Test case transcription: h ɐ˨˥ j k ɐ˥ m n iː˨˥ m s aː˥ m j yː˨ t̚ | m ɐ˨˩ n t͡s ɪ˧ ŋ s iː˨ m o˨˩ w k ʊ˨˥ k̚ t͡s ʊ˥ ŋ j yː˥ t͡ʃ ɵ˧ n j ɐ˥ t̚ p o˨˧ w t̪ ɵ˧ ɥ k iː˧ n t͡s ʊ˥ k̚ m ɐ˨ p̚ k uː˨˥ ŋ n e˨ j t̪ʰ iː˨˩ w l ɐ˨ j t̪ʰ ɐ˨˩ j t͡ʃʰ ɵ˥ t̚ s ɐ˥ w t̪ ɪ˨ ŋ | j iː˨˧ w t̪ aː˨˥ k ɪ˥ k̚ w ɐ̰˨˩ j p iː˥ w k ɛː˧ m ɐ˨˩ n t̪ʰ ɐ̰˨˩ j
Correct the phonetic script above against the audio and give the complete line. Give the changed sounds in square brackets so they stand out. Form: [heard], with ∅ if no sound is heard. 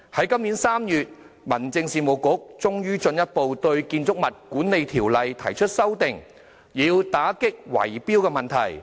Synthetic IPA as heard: h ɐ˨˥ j k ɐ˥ m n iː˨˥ [n] s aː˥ m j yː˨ t̚ | m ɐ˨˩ n t͡s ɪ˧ ŋ s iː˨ m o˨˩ w k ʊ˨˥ k̚ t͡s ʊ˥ ŋ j yː˥ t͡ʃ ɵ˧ n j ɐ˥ t̚ p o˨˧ w t̪ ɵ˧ ɥ k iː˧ n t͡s ʊ˥ k̚ m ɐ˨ [t̚] k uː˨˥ [n] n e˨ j t̪ʰ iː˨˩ w l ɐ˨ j t̪ʰ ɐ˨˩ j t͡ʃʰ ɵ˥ t̚ s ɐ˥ w t̪ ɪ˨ ŋ | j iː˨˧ w t̪ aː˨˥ k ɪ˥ k̚ w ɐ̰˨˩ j p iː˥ w k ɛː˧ m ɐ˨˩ n t̪ʰ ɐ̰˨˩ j